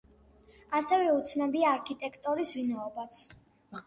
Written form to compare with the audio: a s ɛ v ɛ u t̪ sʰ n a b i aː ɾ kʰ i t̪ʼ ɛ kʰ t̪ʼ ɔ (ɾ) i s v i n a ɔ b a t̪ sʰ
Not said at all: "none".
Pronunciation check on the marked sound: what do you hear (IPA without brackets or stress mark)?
ɾ